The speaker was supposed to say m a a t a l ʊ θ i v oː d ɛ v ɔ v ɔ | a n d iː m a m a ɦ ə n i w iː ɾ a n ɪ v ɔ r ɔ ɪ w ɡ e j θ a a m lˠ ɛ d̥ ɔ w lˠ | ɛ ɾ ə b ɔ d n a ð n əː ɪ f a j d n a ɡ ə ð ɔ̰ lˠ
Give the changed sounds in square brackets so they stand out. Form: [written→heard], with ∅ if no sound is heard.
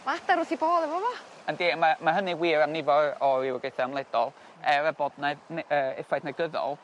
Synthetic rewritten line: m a a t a [l→ɾ] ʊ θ i [v→b] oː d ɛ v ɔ v ɔ | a n d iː m a m a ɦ ə n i w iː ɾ a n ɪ v ɔ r ɔ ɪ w ɡ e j θ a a m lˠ ɛ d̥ ɔ [w→∅] lˠ | ɛ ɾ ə b ɔ d n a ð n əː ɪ f a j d n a ɡ ə ð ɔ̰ lˠ